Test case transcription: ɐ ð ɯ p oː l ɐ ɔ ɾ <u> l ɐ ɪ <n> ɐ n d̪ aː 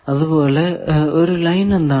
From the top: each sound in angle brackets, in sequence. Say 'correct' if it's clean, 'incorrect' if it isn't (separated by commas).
incorrect, correct